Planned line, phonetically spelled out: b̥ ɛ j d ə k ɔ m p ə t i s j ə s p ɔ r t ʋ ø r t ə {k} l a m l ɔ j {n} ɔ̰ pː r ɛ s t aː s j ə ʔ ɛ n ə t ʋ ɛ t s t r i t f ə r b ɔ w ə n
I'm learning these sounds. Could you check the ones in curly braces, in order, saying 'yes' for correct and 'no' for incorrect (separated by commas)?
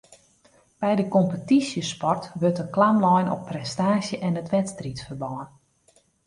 yes, yes